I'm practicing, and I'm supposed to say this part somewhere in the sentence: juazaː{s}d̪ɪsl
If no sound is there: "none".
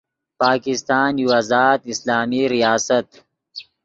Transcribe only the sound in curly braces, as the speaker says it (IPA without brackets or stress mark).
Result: none